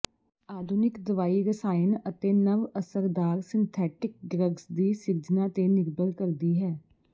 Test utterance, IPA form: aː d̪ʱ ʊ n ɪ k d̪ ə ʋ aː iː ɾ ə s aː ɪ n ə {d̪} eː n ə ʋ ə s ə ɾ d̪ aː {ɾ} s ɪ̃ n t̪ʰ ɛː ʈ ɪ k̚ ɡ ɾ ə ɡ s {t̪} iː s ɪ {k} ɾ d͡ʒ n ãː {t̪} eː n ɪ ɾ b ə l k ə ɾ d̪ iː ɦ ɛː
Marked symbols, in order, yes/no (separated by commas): no, yes, no, no, yes